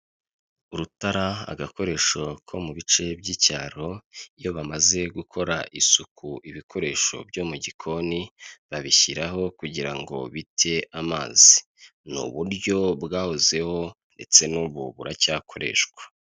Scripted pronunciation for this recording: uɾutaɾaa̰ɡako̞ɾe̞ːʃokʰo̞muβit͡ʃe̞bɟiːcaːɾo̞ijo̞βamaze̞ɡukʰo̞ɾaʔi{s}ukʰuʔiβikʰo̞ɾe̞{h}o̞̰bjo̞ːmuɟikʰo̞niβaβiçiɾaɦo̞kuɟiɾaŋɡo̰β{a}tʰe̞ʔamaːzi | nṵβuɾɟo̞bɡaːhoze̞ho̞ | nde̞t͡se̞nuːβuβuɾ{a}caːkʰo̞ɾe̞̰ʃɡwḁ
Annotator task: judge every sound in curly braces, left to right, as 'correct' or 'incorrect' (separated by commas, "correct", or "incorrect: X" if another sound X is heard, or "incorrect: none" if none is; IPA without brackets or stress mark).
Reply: correct, incorrect: ʃ, incorrect: i, correct